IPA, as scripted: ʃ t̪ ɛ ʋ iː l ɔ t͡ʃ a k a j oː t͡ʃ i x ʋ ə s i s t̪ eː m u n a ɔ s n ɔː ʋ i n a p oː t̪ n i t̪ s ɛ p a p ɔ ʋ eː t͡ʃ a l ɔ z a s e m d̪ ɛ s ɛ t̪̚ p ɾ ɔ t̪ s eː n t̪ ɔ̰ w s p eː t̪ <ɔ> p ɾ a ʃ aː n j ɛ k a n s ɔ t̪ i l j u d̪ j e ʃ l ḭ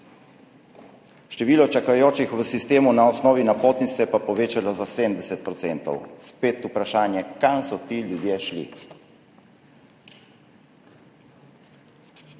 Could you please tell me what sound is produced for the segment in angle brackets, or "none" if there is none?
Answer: u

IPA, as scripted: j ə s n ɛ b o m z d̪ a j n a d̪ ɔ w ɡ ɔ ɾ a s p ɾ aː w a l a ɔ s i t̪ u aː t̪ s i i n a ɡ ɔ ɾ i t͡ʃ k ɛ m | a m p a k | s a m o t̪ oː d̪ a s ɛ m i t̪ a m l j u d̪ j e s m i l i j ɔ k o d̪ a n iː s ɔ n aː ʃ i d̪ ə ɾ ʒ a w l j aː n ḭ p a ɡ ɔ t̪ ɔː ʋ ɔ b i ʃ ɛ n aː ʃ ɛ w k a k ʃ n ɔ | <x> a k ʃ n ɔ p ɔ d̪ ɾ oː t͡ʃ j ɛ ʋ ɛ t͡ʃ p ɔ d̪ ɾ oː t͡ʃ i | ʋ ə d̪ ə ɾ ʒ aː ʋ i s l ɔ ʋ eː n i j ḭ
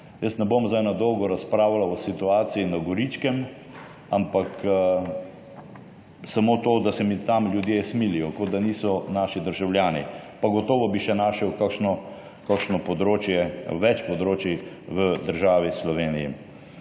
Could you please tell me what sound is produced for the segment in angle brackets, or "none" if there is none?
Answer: k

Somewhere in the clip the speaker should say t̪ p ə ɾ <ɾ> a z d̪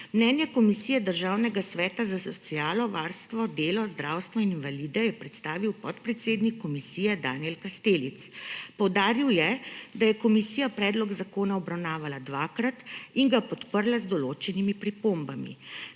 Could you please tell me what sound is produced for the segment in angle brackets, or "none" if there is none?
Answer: l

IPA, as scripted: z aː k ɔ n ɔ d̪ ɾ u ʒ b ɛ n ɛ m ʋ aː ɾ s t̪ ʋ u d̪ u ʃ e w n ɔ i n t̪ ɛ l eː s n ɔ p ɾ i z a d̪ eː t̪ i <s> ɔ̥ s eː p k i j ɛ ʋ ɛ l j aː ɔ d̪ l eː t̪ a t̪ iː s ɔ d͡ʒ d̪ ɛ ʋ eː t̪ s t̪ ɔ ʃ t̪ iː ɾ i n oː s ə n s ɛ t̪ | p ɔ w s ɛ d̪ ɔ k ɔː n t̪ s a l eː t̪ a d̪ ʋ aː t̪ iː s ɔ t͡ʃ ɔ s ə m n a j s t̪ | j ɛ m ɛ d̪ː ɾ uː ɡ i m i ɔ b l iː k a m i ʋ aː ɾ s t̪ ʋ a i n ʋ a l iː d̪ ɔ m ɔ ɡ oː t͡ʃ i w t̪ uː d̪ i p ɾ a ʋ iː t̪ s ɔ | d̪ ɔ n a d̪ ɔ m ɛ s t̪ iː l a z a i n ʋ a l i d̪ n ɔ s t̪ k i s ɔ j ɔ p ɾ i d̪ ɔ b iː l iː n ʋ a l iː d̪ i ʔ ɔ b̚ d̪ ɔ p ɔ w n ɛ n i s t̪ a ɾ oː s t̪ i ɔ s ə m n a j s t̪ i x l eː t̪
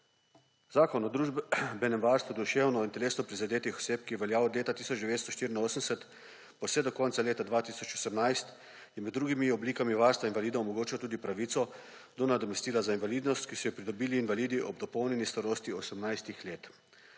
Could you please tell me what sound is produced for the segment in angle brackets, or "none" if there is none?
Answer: x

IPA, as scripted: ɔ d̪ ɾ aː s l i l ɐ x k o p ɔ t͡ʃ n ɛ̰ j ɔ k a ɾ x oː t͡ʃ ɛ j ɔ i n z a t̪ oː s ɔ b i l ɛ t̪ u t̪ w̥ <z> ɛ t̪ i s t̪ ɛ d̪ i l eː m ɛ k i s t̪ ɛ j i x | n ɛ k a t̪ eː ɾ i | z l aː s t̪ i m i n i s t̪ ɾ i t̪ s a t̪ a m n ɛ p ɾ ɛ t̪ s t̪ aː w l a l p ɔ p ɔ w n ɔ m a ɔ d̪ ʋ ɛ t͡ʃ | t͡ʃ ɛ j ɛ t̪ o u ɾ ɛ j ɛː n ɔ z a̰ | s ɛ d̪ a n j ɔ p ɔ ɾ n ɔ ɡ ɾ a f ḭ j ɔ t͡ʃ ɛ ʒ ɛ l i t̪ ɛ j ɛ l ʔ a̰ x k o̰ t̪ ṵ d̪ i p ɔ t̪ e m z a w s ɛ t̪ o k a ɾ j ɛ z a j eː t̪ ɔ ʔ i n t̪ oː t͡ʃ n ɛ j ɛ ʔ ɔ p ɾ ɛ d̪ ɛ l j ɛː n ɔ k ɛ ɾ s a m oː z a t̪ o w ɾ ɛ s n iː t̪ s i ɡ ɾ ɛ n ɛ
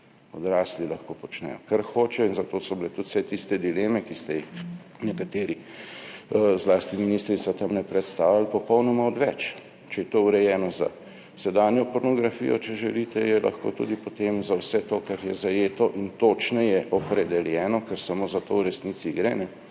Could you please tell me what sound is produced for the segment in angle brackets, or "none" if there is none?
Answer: s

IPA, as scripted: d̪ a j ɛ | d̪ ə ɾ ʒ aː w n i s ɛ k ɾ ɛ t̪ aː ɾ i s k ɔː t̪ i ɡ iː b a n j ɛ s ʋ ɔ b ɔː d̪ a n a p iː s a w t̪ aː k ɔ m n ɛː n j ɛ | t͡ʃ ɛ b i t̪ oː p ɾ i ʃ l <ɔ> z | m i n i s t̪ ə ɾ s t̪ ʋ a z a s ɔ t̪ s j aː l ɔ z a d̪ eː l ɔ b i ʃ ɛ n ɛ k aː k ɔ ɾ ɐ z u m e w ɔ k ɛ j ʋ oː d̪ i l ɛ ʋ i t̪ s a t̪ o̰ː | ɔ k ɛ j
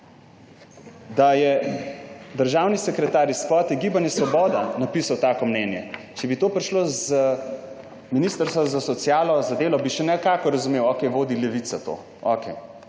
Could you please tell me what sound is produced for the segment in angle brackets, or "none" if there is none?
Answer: o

